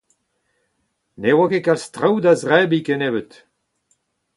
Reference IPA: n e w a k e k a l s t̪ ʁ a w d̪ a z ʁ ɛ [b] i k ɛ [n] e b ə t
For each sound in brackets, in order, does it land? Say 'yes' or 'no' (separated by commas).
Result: yes, yes